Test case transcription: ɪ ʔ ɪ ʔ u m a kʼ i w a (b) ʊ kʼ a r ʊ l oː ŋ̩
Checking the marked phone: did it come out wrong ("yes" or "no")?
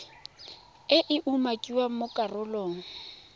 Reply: yes